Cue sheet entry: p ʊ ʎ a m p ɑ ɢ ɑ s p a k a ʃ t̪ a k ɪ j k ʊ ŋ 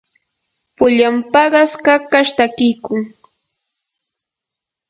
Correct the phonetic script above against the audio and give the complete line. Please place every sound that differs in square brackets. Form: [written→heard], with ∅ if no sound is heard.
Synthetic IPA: p ʊ ʎ a m p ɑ ɢ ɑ s [p→k] a k a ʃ t̪ a k ɪ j k ʊ ŋ